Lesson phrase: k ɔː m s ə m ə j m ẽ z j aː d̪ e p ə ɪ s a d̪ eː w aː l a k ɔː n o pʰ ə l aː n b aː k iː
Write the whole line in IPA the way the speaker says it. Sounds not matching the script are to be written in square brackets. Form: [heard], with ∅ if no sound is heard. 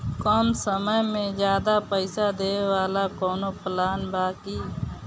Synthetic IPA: k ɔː m s ə m ə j m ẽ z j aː d̪ [a] p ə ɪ s a d̪ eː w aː l a k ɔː n o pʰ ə l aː n b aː k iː